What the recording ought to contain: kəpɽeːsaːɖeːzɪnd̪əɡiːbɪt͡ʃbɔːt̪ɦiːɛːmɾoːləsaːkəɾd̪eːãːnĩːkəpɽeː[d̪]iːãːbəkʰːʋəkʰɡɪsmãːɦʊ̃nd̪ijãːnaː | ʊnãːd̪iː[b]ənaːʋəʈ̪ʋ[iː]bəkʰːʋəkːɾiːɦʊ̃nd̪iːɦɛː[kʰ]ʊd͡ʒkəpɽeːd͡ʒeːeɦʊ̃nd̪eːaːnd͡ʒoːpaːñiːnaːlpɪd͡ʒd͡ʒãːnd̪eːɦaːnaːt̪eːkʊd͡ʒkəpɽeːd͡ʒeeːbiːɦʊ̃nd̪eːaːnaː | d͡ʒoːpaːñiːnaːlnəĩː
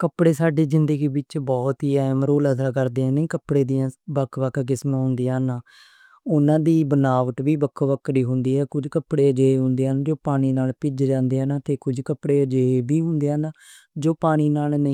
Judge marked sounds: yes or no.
yes, yes, yes, no

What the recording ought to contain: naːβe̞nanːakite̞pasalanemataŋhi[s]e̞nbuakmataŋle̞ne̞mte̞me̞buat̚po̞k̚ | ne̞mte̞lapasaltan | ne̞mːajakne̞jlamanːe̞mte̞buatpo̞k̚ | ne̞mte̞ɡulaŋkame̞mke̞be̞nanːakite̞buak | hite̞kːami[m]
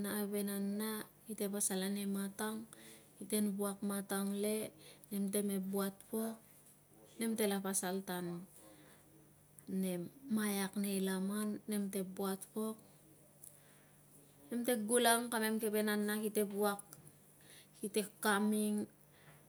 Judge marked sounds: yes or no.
no, no

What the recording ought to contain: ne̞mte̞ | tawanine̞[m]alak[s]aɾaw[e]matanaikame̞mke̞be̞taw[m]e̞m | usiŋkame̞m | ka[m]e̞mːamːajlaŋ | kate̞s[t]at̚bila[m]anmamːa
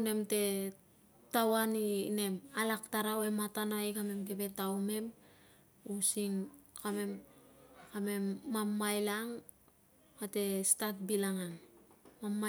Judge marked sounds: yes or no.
yes, no, yes, yes, yes, yes, no

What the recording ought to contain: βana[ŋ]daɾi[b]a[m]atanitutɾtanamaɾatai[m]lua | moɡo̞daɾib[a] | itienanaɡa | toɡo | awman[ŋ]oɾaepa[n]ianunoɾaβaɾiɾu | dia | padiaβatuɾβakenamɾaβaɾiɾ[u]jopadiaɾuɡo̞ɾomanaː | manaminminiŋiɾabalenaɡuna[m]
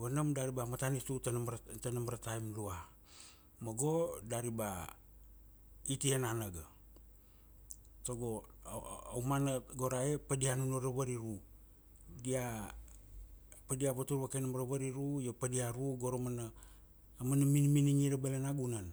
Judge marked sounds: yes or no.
no, yes, yes, yes, yes, no, no, yes, no

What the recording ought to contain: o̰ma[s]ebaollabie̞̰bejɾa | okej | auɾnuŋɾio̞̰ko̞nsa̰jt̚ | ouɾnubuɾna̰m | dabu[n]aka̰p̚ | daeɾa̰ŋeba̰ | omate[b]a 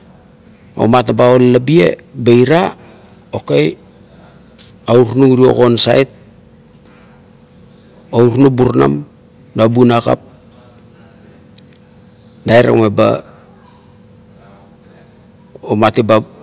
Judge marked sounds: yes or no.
no, yes, yes

